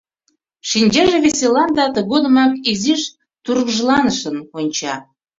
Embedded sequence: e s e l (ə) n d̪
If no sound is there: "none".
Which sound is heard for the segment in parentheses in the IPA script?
ɑ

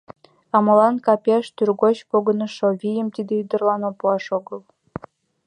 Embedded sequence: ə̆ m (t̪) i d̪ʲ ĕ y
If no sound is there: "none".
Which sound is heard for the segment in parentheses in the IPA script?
t̪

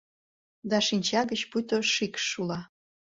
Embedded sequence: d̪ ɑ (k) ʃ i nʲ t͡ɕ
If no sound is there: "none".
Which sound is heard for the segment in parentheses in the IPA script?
none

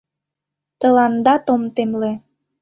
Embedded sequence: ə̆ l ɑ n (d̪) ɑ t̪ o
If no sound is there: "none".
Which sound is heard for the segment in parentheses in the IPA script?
d̪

